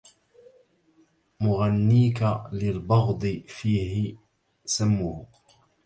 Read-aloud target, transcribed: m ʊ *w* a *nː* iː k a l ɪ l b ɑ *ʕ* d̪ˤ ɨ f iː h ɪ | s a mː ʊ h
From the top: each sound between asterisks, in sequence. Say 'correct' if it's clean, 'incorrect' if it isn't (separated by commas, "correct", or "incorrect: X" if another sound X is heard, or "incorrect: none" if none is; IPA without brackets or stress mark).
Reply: incorrect: ɣ, correct, incorrect: ɣ